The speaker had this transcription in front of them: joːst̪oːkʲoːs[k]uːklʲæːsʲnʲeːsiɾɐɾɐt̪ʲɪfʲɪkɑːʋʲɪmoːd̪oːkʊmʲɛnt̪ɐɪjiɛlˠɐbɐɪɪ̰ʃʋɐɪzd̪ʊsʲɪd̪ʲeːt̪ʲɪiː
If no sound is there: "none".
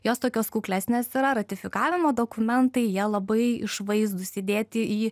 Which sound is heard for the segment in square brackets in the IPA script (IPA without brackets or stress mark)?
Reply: k